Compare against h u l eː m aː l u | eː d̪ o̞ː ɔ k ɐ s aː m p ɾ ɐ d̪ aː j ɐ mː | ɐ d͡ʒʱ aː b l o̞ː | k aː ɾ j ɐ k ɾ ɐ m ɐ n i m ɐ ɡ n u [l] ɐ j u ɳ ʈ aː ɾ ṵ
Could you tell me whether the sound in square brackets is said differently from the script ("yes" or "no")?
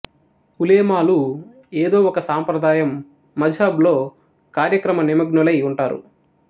no